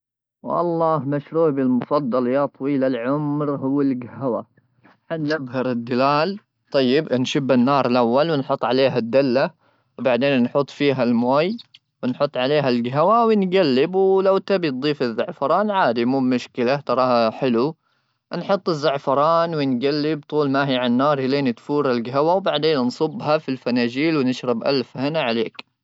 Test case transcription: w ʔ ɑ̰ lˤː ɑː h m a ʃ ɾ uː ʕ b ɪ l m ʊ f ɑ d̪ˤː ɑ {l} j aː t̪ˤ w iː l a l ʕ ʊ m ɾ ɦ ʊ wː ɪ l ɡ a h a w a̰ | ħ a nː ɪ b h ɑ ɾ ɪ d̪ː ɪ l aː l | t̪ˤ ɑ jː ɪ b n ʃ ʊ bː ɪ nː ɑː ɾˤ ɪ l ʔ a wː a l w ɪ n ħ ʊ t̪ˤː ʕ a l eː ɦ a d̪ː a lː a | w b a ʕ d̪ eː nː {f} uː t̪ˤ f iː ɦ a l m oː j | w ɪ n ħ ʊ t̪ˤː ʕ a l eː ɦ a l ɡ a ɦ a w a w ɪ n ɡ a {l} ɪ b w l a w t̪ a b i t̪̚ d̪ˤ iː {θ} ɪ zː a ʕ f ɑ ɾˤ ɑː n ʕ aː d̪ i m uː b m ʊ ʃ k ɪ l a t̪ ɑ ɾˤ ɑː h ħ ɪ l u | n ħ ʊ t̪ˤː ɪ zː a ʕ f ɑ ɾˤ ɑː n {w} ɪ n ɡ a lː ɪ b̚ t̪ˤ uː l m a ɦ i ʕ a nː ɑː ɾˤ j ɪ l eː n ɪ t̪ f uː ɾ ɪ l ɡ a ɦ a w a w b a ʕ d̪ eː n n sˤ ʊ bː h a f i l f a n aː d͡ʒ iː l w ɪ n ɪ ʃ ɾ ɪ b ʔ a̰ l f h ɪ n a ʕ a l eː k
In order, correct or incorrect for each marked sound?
correct, incorrect: ħ, incorrect: lː, incorrect: f, correct

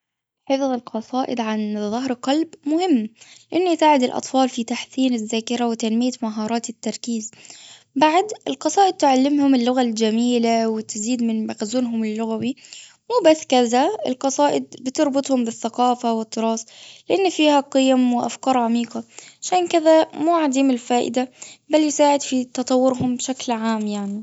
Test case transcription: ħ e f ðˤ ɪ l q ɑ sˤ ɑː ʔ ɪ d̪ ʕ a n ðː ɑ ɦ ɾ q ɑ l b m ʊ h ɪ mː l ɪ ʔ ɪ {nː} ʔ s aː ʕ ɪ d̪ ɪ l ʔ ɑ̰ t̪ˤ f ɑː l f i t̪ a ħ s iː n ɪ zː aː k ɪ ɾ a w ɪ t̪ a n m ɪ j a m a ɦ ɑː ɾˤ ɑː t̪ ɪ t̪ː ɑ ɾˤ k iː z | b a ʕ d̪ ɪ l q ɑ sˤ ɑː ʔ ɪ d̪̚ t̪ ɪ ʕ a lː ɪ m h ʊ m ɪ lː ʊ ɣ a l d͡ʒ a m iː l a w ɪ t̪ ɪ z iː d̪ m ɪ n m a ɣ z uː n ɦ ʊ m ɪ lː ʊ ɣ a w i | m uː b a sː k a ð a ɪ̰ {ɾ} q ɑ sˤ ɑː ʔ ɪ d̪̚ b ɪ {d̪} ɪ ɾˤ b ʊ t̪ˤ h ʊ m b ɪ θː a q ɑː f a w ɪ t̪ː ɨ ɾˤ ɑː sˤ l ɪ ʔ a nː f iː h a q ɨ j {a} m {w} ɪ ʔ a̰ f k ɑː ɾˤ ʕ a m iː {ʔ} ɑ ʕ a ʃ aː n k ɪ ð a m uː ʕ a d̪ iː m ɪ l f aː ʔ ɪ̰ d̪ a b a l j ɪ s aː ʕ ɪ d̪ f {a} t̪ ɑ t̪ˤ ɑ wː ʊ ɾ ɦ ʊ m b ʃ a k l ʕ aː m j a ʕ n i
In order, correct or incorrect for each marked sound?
correct, incorrect: l, incorrect: t̪, correct, correct, incorrect: q, incorrect: i

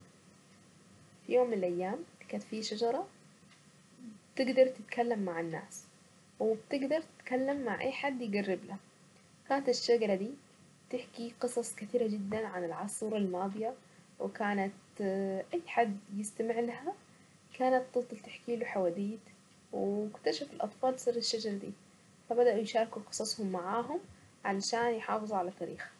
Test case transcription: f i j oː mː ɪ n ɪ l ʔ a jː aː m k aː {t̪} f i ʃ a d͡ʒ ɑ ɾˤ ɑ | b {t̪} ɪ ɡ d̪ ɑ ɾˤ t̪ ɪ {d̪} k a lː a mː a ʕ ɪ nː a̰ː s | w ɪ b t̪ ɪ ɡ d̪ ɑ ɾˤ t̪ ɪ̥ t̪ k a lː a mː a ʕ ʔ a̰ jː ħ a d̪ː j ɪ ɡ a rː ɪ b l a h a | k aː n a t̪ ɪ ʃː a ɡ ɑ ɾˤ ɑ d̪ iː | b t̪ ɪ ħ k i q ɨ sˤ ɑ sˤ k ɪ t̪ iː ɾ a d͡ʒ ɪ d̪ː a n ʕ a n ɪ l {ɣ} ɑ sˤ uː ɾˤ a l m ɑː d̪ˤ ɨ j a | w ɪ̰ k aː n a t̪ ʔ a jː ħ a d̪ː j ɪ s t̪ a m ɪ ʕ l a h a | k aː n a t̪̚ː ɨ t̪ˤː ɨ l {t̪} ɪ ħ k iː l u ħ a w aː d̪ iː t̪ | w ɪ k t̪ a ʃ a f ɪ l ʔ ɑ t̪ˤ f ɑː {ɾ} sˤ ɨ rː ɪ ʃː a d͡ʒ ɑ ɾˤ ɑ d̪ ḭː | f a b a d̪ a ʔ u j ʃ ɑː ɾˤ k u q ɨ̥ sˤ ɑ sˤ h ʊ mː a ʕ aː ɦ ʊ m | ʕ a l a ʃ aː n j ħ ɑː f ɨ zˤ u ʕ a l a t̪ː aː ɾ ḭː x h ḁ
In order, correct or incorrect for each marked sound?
correct, correct, incorrect: t̪, incorrect: ʕ, correct, incorrect: l

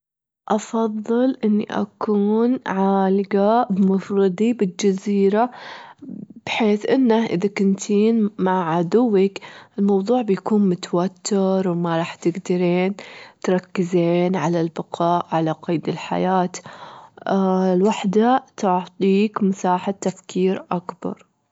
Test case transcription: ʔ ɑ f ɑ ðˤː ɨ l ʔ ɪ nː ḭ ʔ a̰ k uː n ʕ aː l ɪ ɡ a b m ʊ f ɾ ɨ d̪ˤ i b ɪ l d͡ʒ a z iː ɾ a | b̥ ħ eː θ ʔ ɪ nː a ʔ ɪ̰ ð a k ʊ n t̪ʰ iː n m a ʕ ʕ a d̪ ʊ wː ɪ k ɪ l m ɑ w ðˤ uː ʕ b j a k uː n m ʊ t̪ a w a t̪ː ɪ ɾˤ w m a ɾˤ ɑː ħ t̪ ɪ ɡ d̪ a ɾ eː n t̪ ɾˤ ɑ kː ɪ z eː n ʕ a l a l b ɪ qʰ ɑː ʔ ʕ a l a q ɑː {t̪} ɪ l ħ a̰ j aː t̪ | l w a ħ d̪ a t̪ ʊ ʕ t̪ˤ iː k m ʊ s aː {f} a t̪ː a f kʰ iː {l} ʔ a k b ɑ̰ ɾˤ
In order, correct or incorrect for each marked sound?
incorrect: d̪, incorrect: ħ, incorrect: ɾ

